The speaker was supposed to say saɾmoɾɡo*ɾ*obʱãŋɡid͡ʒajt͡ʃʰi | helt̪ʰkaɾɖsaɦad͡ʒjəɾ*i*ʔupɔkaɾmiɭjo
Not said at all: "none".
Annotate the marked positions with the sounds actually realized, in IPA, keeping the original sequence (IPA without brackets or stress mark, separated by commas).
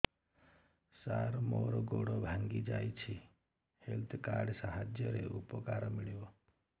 ɽ, e